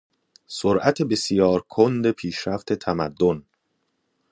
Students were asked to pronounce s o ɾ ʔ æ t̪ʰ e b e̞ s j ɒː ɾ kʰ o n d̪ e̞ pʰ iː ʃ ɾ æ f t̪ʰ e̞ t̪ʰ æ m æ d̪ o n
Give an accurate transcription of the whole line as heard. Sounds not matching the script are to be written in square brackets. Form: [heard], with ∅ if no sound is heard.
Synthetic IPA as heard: s o ɾ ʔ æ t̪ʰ e b e̞ s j ɒː ɾ kʰ o n d̪ e̞ pʰ iː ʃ ɾ æ f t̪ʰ e̞ t̪ʰ æ m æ [d̪ː] o n